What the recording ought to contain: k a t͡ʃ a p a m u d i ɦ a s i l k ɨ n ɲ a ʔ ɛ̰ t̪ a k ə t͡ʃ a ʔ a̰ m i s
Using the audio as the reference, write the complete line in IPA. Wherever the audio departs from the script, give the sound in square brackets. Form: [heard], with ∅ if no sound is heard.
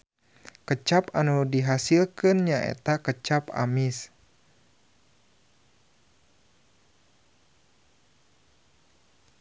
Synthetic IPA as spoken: k [ə] t͡ʃ a p a [n] u d i ɦ a s i l k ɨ n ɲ a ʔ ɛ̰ t̪ a k ə t͡ʃ a [p] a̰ m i s